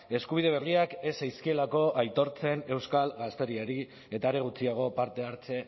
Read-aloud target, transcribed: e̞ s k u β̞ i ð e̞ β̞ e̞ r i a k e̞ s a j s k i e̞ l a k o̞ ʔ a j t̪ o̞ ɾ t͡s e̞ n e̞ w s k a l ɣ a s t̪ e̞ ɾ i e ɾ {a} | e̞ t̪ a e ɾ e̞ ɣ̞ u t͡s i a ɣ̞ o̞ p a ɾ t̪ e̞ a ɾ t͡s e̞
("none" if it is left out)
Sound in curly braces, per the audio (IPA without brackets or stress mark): i